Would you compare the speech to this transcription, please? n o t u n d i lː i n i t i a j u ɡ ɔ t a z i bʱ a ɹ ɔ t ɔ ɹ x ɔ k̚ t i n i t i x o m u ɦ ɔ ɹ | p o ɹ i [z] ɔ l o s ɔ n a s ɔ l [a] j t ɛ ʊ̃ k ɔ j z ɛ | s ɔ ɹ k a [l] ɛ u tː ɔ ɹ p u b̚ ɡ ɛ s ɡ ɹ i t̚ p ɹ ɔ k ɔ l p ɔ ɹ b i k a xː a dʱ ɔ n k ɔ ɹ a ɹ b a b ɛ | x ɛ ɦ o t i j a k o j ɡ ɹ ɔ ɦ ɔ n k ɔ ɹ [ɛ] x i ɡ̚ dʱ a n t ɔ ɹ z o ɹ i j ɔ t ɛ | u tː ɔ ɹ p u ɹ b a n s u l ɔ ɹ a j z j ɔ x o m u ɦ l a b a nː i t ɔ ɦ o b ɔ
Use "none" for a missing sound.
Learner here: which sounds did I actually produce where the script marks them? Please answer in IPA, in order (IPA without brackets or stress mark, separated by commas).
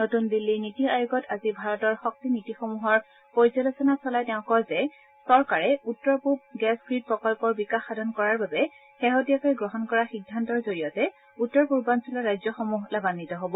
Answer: z, a, ɹ, a